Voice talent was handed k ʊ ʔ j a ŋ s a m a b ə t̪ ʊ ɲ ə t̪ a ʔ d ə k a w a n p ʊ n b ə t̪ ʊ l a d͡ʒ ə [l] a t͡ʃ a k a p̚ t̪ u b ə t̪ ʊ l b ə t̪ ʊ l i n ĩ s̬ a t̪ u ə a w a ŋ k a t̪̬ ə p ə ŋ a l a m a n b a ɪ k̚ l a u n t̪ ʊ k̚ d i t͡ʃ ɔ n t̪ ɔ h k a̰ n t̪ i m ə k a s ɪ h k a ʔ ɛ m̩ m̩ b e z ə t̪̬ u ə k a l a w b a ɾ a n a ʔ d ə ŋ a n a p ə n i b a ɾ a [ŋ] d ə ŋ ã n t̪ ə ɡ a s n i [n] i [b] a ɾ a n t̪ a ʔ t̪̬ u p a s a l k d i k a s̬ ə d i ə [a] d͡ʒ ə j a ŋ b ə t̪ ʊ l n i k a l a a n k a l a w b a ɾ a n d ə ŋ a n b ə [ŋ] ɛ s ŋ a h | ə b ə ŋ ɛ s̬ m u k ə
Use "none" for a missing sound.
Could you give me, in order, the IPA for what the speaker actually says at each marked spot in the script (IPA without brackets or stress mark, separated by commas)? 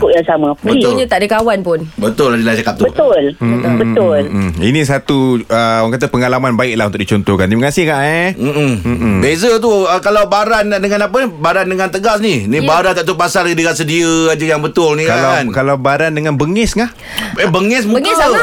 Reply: l, n, n, b, a, ŋ